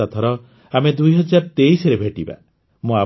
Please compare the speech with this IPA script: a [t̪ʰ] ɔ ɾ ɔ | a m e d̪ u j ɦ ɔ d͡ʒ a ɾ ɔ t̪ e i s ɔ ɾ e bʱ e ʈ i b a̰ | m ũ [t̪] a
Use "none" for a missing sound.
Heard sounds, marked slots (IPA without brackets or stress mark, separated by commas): t̪ʰ, none